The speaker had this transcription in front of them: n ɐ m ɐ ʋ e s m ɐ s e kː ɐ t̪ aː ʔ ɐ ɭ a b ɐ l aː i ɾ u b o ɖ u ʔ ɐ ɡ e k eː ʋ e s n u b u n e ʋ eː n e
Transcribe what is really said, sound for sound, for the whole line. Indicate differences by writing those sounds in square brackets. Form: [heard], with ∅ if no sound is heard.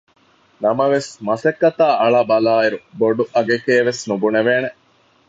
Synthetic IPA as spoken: n ɐ m ɐ ʋ e s m ɐ s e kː ɐ t̪ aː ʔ ɐ ɭ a b ɐ l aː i ɾ u b o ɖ u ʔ ɐ ɡ e k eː ʋ e s n u b u n e ʋ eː n e

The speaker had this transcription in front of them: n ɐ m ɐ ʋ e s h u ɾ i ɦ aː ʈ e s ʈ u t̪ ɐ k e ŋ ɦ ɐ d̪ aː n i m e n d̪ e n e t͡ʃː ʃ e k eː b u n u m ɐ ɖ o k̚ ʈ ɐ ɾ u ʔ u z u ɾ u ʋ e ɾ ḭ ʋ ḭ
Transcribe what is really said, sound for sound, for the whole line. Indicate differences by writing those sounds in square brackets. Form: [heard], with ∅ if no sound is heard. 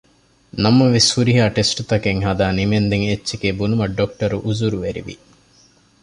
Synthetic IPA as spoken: n ɐ m ɐ ʋ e s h u ɾ i ɦ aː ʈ e s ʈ u t̪ ɐ k e ŋ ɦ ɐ d̪ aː n i m e n d̪ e [ŋ] e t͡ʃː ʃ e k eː b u n u m ɐ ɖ o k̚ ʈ ɐ ɾ u ʔ u z u ɾ u ʋ e ɾ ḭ ʋ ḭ

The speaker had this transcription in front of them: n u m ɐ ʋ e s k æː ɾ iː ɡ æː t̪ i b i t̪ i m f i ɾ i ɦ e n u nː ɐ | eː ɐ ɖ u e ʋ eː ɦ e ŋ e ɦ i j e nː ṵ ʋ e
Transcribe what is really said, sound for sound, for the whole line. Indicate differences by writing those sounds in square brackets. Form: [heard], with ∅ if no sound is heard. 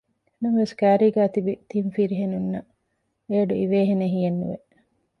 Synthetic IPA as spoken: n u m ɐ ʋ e s k æː ɾ iː ɡ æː t̪ i b i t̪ i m f i ɾ i ɦ e n u nː ɐ | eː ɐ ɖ u [i] ʋ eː ɦ e [n] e ɦ i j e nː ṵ ʋ e

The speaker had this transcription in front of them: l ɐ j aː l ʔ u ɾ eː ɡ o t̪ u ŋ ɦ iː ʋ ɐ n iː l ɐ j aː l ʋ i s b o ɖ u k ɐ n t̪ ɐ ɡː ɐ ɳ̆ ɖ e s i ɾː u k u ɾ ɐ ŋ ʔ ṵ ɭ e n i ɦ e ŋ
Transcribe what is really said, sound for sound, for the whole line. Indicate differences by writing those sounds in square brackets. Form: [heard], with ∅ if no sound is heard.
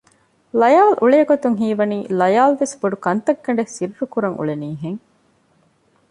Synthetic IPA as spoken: l ɐ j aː l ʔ u [ɭ] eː ɡ o t̪ u ŋ ɦ iː ʋ ɐ n iː l ɐ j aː l ʋ [e] s b o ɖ u k ɐ n t̪ ɐ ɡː ɐ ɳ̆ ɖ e s i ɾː u k u ɾ ɐ ŋ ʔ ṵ ɭ e n [iː] ɦ e ŋ

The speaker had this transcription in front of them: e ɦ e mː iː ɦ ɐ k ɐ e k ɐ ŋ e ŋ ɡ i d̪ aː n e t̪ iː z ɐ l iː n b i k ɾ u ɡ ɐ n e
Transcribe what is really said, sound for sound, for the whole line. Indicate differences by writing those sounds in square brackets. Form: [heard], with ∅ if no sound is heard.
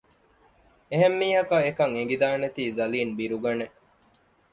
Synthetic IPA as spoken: e ɦ e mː iː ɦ ɐ k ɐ e k ɐ ŋ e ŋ ɡ i d̪ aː n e t̪ iː z ɐ l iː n b i [∅] ɾ u ɡ ɐ n e

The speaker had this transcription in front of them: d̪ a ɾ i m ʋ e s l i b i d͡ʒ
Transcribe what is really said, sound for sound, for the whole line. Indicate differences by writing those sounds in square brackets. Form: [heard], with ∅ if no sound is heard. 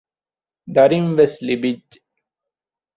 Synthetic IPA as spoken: d̪ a ɾ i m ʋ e s l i b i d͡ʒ

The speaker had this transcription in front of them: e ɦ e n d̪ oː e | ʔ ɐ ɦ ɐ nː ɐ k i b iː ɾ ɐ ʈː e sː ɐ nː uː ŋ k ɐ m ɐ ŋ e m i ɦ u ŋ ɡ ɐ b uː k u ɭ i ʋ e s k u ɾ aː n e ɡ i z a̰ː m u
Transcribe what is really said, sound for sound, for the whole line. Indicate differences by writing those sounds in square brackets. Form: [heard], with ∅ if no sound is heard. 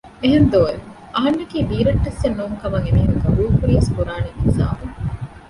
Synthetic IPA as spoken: e ɦ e n d̪ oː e | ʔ ɐ ɦ ɐ nː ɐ k [iː] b iː ɾ ɐ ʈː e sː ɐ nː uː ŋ k ɐ m ɐ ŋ e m i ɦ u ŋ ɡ ɐ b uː k u [ɾ] i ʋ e s k u ɾ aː n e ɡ i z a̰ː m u

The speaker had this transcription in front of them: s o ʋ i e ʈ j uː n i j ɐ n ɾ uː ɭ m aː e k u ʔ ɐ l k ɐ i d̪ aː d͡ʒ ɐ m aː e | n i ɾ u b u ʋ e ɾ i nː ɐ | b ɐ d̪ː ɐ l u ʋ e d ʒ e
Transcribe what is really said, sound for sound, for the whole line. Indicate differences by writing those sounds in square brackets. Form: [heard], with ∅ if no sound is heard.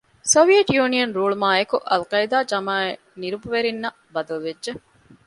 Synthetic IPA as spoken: s o ʋ i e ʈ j uː n i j ɐ n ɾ uː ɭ m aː e k u ʔ ɐ l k ɐ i d̪ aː d͡ʒ ɐ m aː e | n i ɾ u b u ʋ e ɾ i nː ɐ | b ɐ [d̪] ɐ l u ʋ e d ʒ e

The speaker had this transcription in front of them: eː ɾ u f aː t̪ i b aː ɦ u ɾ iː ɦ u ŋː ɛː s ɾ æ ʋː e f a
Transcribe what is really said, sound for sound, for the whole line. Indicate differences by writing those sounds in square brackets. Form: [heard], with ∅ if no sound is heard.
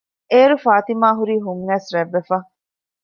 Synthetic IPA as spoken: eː ɾ u f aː t̪ i [m] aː ɦ u ɾ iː ɦ u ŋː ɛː s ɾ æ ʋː e f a

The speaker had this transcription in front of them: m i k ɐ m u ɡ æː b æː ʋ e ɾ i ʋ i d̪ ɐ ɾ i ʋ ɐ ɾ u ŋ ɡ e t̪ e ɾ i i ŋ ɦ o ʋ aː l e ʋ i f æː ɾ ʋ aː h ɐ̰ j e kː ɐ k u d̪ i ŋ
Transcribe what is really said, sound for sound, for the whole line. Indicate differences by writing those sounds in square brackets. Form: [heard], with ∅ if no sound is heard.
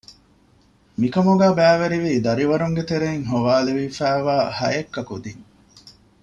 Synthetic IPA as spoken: m i k ɐ m u ɡ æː b æː ʋ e ɾ i ʋ [iː] d̪ ɐ ɾ i ʋ ɐ ɾ u ŋ ɡ e t̪ e ɾ [e] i ŋ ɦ o ʋ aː l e ʋ i f æː [∅] ʋ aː h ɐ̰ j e kː ɐ k u d̪ i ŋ

